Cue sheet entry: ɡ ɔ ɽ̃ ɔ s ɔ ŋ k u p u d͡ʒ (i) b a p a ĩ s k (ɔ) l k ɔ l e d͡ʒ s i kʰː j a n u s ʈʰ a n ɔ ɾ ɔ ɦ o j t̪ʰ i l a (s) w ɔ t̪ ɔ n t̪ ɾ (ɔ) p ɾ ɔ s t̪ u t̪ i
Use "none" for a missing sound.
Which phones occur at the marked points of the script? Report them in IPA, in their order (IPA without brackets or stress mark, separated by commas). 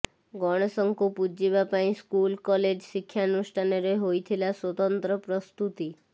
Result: i, u, s, ɔ